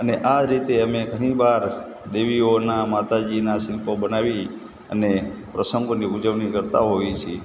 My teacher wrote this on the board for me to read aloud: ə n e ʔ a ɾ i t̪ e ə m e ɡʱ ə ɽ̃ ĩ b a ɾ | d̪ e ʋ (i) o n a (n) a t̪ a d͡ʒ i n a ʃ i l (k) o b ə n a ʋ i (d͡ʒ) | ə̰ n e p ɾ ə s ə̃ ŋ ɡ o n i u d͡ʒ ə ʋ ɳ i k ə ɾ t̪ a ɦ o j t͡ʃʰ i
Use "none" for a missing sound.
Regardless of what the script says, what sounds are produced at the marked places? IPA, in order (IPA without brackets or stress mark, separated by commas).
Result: i, m, p, none